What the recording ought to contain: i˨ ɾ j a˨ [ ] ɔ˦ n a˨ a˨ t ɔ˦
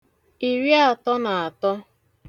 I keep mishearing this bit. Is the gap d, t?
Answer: t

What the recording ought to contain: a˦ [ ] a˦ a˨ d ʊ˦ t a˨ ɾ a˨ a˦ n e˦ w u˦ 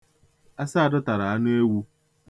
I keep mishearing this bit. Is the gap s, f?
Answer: s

